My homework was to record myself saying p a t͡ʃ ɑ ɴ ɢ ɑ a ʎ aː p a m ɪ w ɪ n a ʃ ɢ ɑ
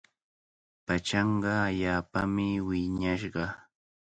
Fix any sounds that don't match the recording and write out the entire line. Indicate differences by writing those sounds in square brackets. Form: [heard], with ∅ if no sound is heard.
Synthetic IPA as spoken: p a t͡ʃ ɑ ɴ ɢ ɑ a ʎ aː p a m ɪ w ɪ [ɲ] a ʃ ɢ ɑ